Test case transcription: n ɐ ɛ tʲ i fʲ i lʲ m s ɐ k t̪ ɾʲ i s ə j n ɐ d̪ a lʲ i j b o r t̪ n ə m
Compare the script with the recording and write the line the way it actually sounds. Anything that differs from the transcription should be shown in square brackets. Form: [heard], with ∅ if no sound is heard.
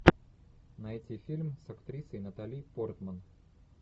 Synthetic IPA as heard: n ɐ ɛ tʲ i fʲ i lʲ m s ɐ k t̪ ɾʲ i s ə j n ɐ [t̪] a lʲ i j [p] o r t̪ [m] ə [n]

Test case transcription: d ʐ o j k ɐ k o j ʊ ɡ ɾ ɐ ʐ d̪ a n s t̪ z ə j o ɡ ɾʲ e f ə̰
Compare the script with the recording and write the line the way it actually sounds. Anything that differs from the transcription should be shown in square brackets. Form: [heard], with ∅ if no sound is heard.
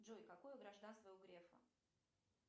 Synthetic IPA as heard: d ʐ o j k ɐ k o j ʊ ɡ ɾ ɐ ʐ d̪ a n s t̪ [v] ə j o ɡ ɾʲ e f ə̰

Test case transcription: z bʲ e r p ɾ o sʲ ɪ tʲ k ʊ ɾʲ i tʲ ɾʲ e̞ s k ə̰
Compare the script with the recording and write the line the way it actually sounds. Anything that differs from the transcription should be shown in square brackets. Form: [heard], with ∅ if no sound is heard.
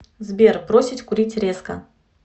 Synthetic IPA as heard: z bʲ e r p ɾ o sʲ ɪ tʲ k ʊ ɾʲ i tʲ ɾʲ e̞ s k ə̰

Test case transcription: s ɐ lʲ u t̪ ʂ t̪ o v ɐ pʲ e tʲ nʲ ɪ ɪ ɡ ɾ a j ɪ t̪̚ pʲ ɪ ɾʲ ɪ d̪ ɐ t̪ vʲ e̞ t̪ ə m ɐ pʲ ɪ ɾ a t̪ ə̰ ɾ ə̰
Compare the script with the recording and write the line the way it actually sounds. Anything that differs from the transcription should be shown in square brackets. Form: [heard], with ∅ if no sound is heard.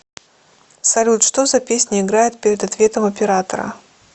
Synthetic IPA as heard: s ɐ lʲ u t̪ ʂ t̪ o [z] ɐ pʲ e [sʲ] nʲ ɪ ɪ ɡ ɾ a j ɪ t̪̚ pʲ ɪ ɾʲ ɪ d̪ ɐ t̪ vʲ e̞ t̪ ə m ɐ pʲ ɪ ɾ a t̪ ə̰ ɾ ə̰

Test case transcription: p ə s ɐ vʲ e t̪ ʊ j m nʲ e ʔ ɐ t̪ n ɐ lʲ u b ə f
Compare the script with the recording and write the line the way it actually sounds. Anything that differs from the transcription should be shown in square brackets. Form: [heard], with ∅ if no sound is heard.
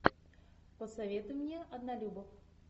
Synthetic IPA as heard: p ə s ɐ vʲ e t̪ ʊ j m nʲ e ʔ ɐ [d̪] n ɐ lʲ u b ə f

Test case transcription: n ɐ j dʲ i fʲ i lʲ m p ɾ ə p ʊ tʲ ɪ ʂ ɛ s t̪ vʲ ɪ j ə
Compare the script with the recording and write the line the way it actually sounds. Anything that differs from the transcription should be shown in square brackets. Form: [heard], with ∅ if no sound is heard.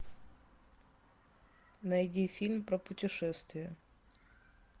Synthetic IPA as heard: n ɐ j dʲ i fʲ i lʲ m p ɾ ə p ʊ tʲ ɪ ʂ ɛ s t̪ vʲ ɪ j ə

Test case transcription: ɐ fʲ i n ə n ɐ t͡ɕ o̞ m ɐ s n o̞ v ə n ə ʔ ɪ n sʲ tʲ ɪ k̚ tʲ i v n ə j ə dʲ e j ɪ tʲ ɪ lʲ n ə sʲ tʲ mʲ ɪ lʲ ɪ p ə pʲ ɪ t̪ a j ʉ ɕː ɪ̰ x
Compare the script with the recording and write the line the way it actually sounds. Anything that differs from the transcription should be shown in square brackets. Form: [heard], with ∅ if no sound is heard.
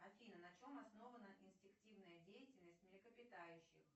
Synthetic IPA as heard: ɐ fʲ i n ə n ɐ t͡ɕ o̞ m ɐ s n o̞ v ə n ə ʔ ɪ n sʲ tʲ ɪ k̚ tʲ i v n ə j ə dʲ e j ɪ tʲ ɪ lʲ n ə sʲ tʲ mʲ ɪ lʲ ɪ [k] ə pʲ ɪ t̪ a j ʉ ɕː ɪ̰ x

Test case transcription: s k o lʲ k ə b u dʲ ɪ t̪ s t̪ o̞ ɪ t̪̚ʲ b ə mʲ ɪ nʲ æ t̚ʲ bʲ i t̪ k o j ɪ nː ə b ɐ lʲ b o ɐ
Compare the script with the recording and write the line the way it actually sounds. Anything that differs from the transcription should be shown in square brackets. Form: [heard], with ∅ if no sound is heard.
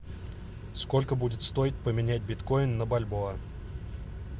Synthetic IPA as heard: s k o lʲ k ə b u dʲ ɪ t̪ s t̪ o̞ ɪ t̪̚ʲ [p] ə mʲ ɪ nʲ æ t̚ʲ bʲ [ɪ] t̪ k o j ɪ nː ə b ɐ lʲ b o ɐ

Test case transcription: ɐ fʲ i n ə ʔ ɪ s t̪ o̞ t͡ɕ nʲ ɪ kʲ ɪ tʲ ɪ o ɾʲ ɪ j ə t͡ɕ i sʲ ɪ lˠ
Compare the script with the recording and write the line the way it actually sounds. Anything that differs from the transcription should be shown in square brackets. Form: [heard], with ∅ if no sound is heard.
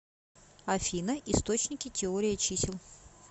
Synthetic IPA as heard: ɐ fʲ i n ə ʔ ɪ s t̪ o̞ t͡ɕ nʲ ɪ kʲ ɪ tʲ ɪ o ɾʲ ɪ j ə t͡ɕ i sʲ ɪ lˠ

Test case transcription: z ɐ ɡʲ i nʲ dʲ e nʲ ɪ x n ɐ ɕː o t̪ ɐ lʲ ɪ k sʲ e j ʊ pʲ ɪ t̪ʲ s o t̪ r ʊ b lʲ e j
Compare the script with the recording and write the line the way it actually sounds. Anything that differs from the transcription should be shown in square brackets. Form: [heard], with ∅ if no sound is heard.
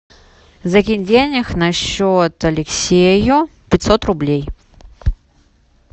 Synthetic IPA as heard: z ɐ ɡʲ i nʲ dʲ e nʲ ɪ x n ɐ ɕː o t̪ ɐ lʲ ɪ k sʲ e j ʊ pʲ ɪ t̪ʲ s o t̪ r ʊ b lʲ e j

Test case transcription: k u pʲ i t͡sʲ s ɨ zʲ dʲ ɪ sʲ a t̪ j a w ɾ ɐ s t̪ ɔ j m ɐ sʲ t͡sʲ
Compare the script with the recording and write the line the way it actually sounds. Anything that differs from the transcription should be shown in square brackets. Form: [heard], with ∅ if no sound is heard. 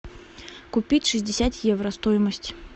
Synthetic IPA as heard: k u pʲ i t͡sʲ [ʂ] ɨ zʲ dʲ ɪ sʲ a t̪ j [ɛ] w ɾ ɐ s t̪ ɔ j m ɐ sʲ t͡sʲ

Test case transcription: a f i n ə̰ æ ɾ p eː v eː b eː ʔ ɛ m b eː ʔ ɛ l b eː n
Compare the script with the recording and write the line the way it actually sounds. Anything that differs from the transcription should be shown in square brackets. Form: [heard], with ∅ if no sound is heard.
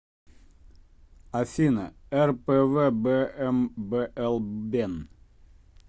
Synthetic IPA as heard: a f i n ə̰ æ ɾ p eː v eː b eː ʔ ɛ m b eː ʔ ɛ l b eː n

